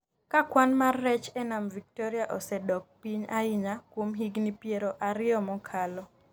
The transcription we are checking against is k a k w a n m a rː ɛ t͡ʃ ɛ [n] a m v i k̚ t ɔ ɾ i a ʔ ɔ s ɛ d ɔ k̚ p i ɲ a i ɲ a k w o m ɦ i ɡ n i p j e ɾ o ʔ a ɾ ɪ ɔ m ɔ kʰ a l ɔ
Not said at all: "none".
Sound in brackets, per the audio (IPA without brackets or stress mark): n